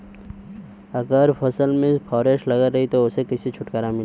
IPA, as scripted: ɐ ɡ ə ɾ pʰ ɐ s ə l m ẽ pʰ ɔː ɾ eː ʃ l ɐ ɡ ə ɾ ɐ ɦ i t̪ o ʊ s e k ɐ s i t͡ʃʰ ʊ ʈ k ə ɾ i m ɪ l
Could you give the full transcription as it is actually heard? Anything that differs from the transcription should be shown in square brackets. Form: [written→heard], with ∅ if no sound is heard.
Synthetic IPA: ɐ ɡ ə ɾ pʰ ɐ s ə l m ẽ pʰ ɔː ɾ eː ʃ l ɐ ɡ ə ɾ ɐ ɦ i t̪ o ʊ s e k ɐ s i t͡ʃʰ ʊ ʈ k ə ɾ [i→a] m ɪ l